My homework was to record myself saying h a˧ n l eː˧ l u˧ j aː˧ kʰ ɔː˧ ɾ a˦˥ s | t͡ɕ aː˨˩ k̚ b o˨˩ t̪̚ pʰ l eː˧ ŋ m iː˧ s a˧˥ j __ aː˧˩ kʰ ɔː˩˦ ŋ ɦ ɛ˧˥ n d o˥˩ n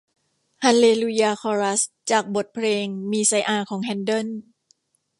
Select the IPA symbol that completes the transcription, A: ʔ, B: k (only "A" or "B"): A